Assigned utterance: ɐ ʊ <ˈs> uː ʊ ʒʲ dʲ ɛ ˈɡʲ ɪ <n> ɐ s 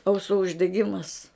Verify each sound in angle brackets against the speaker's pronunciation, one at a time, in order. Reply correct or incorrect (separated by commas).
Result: correct, incorrect